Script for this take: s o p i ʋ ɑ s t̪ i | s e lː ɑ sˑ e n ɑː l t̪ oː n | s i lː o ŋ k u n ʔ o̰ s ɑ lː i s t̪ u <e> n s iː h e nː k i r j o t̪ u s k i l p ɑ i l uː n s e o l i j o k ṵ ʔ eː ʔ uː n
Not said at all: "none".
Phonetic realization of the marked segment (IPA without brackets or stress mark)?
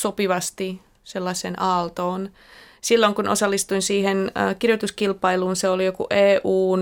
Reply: i